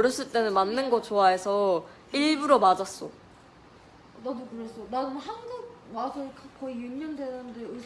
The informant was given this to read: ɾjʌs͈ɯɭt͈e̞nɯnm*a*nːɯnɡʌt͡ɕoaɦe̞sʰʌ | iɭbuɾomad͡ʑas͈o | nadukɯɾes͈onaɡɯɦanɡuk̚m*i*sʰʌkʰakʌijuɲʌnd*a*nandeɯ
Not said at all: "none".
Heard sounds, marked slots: a, a, e

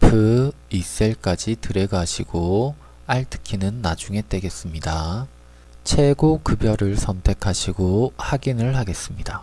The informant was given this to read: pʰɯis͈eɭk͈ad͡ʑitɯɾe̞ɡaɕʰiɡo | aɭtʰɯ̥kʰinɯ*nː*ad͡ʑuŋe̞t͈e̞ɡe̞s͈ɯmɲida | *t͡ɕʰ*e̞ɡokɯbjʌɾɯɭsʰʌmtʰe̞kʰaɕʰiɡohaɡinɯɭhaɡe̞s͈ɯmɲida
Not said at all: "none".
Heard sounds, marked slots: nː, t͡ɕʰ

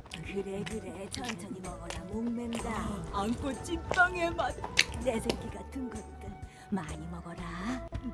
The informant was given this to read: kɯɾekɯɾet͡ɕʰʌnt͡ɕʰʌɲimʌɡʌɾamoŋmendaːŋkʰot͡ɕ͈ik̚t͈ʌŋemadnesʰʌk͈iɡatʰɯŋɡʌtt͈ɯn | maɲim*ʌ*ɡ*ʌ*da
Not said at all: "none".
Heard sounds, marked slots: ʌ, ʌ

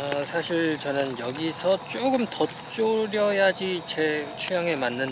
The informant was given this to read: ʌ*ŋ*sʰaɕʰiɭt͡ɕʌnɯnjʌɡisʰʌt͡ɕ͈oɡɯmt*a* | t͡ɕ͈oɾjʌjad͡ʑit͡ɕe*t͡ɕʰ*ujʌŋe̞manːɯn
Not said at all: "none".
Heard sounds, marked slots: none, ʌ, t͡ɕʰ

